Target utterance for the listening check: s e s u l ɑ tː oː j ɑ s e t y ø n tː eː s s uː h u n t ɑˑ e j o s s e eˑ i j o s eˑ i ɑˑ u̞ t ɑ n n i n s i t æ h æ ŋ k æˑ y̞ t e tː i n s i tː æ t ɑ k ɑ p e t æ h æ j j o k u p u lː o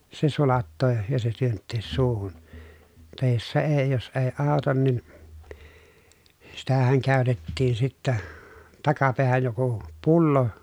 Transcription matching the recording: s e s u l ɑ tː oː j ɑ s e t y ø n tː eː s s uː h u n t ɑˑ e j o s s e eˑ i j o s eˑ i ɑˑ u̞ t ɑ n n i n s i t æ h æ ŋ k æˑ y̞ t e tː iː n s i tː æ t ɑ k ɑ p e æ h æ j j o k u p u lː o